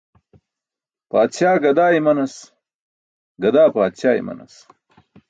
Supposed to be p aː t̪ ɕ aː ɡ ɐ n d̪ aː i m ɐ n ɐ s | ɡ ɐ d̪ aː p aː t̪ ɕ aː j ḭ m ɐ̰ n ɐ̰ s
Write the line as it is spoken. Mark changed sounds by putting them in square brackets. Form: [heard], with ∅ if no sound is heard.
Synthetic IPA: p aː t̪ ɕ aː ɡ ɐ [∅] d̪ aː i m ɐ n ɐ s | ɡ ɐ d̪ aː p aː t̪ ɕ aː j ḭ m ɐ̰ n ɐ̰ s